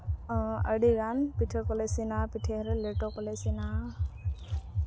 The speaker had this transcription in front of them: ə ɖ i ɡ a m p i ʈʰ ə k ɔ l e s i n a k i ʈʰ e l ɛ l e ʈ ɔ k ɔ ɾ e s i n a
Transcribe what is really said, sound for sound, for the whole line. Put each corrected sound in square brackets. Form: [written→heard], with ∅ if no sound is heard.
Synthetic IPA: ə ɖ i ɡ a [m→n] p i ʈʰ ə k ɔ l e s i n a [k→p] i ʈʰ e [l→ɾ] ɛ l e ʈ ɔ k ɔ [ɾ→l] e s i n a